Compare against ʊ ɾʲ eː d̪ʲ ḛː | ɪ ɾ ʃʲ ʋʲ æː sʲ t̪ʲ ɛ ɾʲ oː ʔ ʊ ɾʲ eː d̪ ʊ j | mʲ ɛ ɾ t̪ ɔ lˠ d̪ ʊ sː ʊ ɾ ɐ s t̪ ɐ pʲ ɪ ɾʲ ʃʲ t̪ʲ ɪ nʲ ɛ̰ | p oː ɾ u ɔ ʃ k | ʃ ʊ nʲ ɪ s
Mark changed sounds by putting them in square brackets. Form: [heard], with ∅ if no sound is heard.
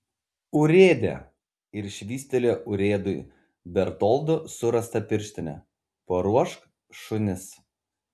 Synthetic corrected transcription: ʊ ɾʲ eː d̪ʲ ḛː | ɪ ɾ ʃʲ ʋʲ [iː] sʲ t̪ʲ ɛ [lʲ] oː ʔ ʊ ɾʲ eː d̪ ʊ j | [bʲ] ɛ ɾ t̪ ɔ lˠ d̪ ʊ [s] ʊ ɾ ɐ s t̪ ɐ pʲ ɪ ɾʲ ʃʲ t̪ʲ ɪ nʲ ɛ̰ | p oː ɾ u ɔ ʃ k | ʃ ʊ nʲ ɪ s